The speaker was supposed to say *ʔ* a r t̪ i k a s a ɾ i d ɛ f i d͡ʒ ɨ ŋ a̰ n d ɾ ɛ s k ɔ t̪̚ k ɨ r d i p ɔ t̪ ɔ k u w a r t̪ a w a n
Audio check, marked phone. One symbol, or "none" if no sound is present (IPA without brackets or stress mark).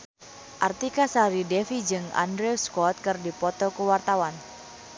ʔ